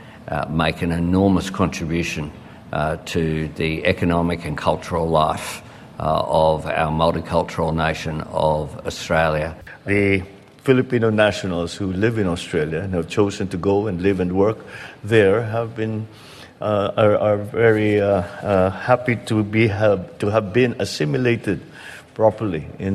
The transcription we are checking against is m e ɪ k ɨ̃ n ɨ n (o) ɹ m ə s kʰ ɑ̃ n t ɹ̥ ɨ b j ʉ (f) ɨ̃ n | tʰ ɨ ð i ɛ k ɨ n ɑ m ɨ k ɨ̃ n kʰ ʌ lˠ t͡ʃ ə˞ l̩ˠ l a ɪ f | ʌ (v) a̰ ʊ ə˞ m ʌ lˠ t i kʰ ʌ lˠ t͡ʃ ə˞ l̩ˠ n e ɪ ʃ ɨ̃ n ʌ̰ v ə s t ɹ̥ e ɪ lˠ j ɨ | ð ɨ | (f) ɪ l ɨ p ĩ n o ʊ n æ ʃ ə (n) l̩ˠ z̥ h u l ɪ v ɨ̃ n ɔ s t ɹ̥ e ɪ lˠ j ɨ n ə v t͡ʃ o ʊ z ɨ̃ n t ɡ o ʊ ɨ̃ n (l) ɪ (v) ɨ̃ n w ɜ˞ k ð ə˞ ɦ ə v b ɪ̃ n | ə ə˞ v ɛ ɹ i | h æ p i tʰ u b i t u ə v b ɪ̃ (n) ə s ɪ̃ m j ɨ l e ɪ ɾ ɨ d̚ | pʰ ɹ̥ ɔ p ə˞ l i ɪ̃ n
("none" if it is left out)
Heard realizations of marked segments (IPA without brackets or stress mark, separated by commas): ɔ, ʃ, v, f, n, l, v, n